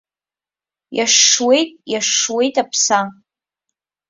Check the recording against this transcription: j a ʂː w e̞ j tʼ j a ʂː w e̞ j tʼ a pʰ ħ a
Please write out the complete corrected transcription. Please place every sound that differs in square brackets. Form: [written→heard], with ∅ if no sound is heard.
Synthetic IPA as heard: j a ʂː w e̞ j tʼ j a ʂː w e̞ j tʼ a pʰ [ħ→s] a